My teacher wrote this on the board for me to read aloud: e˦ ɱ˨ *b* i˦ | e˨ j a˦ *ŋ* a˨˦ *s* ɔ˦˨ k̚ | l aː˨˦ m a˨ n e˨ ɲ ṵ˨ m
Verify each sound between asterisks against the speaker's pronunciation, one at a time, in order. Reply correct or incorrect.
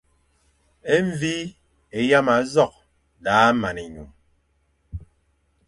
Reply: incorrect: v, incorrect: m, incorrect: z

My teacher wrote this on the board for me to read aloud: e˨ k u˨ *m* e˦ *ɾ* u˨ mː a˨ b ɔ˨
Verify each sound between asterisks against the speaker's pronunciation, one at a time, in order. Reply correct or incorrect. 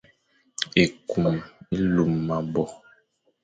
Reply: correct, incorrect: l

